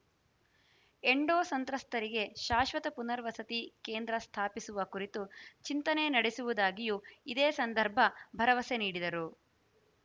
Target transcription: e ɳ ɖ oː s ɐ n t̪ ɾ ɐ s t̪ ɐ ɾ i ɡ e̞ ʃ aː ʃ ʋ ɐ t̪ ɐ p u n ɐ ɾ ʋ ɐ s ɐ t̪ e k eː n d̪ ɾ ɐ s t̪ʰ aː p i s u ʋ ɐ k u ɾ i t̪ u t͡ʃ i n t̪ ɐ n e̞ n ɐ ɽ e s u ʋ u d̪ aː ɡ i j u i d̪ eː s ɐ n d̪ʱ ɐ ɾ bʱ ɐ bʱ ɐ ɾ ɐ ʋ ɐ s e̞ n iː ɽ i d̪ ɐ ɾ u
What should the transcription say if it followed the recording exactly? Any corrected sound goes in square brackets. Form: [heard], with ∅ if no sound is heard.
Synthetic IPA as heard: e ɳ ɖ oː s ɐ n t̪ ɾ ɐ s t̪ ɐ ɾ i ɡ e̞ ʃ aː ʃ ʋ ɐ t̪ ɐ p u n ɐ ɾ ʋ ɐ s ɐ t̪ [i] k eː n d̪ ɾ ɐ s t̪ʰ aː p i s u ʋ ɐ k u ɾ i t̪ u t͡ʃ i n t̪ ɐ n e̞ n ɐ ɽ e s u ʋ u d̪ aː ɡ i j u i d̪ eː s ɐ n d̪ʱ ɐ ɾ bʱ ɐ bʱ ɐ ɾ ɐ ʋ ɐ s e̞ n iː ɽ i d̪ ɐ ɾ u